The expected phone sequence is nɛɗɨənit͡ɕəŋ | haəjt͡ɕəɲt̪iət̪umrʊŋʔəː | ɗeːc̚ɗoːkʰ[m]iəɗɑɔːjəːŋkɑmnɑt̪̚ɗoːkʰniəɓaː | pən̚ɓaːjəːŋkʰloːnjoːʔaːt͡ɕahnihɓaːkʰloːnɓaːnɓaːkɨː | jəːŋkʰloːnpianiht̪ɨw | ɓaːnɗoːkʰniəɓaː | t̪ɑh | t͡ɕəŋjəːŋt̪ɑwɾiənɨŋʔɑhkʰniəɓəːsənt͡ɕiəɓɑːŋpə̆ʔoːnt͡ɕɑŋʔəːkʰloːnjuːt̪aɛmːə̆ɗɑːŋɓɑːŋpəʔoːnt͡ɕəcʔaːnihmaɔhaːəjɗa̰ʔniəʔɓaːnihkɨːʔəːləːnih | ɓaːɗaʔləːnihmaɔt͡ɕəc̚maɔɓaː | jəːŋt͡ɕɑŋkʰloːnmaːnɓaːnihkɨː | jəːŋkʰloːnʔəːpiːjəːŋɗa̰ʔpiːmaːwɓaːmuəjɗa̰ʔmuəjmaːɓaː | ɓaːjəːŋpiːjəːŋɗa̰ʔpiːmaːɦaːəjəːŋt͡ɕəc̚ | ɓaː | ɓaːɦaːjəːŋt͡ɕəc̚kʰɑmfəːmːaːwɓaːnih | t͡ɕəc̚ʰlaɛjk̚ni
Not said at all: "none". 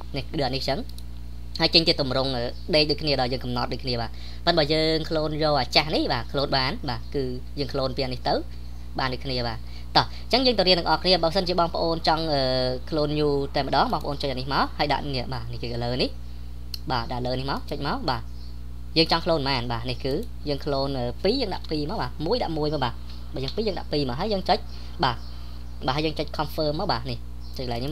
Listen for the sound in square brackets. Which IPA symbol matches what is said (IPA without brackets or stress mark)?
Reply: n